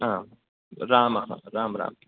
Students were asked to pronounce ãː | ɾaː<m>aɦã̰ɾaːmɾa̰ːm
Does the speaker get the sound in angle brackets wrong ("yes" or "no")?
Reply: no